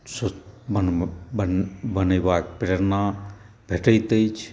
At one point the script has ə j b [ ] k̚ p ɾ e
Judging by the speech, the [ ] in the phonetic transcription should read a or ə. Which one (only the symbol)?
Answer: a